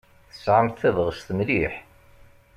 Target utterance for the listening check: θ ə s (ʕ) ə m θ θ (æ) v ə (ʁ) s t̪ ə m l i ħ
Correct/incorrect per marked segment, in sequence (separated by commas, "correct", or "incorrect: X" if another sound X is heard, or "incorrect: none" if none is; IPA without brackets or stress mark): correct, correct, correct